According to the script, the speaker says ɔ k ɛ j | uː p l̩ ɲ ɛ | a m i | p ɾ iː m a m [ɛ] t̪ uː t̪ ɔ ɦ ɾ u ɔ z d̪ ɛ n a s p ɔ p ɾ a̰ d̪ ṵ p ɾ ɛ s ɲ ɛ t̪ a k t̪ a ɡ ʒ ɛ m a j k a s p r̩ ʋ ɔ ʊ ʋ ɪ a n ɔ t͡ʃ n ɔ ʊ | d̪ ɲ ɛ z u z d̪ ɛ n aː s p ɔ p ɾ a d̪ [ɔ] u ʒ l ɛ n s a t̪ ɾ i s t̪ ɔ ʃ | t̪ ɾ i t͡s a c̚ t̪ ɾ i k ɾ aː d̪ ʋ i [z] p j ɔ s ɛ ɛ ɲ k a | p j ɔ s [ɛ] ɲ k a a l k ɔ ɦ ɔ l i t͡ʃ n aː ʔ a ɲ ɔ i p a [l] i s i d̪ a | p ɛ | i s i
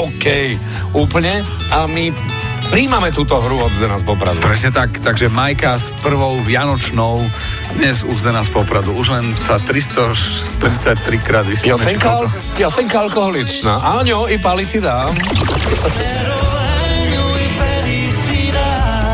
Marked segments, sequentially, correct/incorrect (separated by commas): correct, incorrect, incorrect, correct, correct